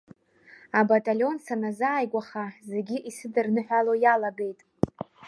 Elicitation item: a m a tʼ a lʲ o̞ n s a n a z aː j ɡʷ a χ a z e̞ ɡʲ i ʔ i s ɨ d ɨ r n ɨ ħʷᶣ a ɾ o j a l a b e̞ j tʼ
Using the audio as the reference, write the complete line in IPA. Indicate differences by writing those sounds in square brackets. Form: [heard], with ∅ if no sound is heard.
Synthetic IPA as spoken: a [b] a tʼ a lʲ o̞ n s a n a z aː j ɡʷ a χ a z e̞ ɡʲ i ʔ i s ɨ d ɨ r n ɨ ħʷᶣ a [l] o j a l a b e̞ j tʼ